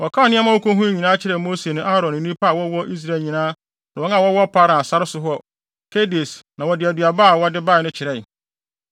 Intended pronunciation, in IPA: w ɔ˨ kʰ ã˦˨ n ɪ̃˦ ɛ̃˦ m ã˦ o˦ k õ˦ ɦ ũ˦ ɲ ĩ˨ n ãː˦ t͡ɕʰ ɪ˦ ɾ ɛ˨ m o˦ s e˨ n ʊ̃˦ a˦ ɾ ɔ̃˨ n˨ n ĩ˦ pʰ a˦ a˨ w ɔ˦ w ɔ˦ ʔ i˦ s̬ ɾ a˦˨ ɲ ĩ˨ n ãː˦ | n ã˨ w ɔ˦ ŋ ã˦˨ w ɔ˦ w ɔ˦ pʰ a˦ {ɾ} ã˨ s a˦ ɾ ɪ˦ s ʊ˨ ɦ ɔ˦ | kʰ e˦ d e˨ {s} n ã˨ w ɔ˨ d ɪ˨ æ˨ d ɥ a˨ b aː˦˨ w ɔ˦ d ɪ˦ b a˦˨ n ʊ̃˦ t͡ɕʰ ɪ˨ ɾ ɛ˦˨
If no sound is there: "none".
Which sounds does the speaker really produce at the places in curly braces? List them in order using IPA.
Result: ɾ, s

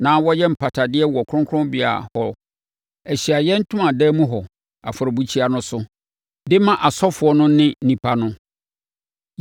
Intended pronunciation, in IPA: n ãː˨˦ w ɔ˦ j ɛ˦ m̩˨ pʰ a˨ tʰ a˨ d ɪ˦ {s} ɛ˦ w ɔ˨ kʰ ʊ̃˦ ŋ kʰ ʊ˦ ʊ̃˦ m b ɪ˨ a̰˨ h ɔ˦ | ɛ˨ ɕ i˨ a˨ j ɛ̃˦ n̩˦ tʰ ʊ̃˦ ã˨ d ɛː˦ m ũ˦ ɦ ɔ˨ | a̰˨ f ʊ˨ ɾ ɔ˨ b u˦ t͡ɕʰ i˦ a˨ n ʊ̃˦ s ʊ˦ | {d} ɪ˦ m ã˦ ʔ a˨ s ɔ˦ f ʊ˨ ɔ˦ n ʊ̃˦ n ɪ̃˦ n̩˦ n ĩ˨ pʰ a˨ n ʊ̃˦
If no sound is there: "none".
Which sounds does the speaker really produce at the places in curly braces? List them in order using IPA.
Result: none, d

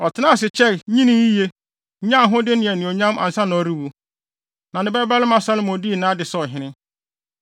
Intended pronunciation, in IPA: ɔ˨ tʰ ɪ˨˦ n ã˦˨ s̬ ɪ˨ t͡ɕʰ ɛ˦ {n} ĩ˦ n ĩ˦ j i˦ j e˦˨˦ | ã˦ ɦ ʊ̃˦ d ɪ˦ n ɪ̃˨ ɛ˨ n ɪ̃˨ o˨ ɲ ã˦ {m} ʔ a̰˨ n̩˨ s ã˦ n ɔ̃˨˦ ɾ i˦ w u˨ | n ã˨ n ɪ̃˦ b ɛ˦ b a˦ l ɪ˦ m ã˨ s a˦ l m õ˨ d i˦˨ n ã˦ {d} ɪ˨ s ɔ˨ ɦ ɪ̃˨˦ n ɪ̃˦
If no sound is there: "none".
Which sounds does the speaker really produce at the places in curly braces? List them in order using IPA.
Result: ɲ, m, d

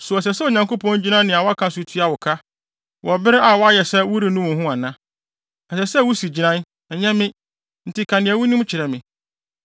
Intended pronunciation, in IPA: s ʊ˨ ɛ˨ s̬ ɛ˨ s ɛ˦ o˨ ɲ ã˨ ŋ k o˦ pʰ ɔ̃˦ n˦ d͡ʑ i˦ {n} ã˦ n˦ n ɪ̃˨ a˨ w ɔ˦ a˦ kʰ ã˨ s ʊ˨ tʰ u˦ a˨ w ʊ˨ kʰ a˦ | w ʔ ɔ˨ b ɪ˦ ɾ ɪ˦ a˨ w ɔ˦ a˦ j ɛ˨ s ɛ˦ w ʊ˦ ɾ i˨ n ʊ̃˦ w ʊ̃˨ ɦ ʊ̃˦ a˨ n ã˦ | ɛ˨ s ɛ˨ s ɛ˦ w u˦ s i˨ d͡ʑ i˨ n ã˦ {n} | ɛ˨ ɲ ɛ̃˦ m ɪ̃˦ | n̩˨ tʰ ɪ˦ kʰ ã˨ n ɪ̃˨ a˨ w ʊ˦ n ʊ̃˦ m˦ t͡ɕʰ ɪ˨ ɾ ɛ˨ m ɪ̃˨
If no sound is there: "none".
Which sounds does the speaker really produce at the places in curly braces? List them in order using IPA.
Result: n, n

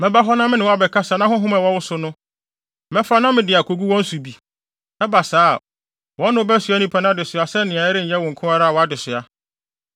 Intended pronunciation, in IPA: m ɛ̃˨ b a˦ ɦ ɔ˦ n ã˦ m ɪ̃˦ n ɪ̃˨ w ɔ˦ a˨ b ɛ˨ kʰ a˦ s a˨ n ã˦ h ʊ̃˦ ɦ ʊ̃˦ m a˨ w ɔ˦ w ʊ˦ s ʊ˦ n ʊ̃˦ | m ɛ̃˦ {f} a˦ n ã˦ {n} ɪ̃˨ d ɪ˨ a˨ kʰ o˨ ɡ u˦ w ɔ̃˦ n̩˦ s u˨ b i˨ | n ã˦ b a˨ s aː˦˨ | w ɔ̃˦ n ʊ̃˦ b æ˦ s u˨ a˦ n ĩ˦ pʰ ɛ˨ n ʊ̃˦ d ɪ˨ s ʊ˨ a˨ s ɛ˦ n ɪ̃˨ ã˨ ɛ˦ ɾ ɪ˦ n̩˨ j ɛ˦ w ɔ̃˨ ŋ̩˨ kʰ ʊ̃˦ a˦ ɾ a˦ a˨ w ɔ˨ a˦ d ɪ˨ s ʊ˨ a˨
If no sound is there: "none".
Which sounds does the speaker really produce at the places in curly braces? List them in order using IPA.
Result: f, m

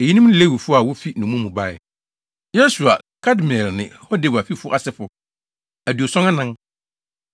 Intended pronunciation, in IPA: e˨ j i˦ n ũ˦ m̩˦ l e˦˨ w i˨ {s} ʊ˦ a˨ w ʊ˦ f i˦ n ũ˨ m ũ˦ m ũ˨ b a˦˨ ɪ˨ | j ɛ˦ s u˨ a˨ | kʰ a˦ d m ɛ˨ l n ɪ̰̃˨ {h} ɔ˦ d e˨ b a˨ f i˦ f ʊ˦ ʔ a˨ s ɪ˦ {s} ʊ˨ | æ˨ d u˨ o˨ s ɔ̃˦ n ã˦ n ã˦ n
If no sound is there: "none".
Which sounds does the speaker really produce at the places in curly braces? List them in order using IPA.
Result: f, h, f

